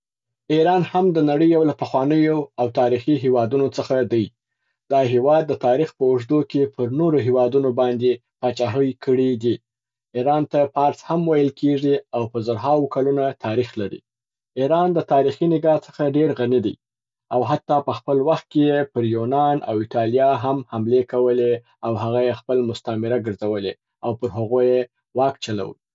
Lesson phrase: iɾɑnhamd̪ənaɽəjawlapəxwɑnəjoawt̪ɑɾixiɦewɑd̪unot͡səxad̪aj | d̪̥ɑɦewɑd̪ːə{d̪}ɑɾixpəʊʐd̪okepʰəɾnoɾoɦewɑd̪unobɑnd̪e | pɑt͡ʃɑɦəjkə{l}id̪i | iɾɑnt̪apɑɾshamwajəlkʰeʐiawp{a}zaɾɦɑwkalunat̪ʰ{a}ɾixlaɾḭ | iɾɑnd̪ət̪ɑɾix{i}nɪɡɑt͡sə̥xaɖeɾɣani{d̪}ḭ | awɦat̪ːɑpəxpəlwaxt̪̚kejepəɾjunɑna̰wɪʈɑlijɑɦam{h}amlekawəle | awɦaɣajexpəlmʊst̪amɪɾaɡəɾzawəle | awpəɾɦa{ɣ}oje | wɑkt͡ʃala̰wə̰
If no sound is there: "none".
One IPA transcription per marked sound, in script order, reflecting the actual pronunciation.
t̪, ɽ, ə, ɑ, i, d̪, h, ɣ

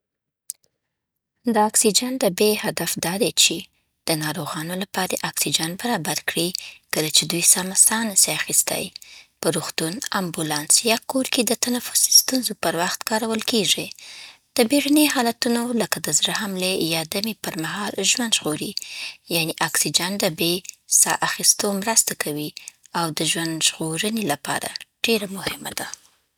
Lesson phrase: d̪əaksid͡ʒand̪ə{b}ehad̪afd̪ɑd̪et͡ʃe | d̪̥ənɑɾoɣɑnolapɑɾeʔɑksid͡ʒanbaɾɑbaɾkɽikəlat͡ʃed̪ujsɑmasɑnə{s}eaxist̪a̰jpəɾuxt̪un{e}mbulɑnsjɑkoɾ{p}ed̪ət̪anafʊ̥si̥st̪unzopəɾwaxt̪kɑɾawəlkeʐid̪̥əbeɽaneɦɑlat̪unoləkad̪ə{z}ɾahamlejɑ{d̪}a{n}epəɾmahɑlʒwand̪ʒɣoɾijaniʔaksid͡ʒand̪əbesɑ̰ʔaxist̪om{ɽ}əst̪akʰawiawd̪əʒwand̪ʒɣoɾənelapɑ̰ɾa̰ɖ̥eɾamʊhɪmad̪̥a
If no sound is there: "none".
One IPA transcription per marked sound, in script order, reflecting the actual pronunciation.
b, s, a, k, z, d̪, m, ɾ

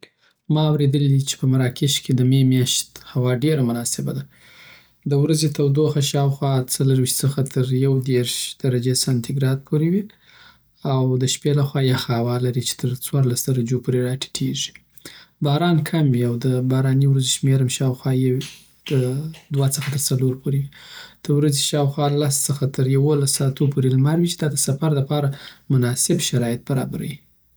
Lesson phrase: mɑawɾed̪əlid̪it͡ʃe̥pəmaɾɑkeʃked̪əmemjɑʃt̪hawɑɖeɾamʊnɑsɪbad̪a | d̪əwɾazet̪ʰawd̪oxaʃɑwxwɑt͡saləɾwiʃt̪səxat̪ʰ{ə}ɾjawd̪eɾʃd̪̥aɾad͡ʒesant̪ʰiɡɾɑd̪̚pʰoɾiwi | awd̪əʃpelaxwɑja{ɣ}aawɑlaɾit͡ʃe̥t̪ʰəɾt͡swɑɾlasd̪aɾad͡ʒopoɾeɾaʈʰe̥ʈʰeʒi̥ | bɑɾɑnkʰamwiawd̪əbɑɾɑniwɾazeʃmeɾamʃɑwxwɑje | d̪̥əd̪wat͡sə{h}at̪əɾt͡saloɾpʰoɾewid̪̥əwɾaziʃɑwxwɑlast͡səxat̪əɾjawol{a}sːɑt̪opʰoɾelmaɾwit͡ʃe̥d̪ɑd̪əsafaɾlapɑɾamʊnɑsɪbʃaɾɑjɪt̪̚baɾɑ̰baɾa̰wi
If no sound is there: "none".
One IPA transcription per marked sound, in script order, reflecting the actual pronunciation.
ə, x, x, a

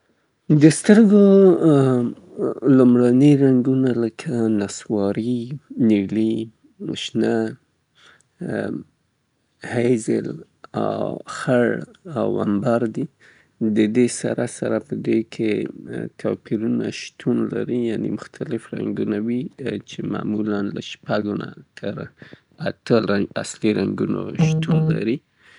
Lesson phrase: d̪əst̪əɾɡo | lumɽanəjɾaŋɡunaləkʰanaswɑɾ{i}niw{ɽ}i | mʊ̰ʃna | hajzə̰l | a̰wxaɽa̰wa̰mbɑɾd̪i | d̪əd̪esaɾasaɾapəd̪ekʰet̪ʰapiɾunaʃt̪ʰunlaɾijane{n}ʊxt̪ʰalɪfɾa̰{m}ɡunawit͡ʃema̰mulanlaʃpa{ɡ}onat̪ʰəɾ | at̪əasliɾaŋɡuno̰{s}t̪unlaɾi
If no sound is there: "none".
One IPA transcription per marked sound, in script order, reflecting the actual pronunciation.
i, l, m, ŋ, ɡ, ʃ

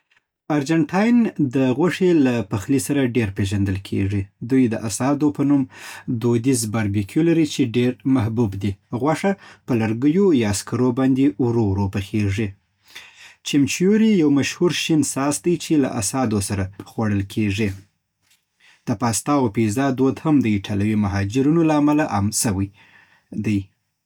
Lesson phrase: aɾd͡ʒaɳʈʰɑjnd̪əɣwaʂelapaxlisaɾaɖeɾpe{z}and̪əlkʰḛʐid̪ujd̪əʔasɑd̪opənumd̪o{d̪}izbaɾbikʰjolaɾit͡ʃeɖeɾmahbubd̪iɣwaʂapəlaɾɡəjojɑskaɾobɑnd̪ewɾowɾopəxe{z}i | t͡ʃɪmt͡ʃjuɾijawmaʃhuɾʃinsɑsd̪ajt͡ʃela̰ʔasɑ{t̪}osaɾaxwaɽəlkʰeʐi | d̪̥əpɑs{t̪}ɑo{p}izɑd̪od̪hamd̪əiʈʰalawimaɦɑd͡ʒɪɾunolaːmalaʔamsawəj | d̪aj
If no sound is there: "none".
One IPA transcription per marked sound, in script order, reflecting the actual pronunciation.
ʒ, d̪, ʐ, d̪, t̪, p

